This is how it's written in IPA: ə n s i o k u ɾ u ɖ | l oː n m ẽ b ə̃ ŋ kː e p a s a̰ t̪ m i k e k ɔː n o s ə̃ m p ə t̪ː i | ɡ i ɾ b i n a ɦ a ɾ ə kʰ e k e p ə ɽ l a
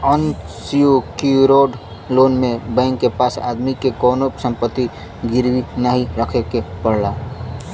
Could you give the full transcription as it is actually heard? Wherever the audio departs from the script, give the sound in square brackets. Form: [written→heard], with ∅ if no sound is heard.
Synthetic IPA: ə n s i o k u ɾ [u→o] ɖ | l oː n m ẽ b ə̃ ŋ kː e p a s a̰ [t̪→d̪] m i k e k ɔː n o s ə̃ m p ə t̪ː i | ɡ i ɾ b i n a ɦ [a→i] ɾ ə kʰ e k e p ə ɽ l a